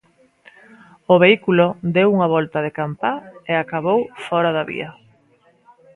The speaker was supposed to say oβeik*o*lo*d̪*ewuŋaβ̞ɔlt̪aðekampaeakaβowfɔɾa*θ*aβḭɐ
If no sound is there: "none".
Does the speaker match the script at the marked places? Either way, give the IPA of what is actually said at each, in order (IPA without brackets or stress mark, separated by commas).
u, d̪, ð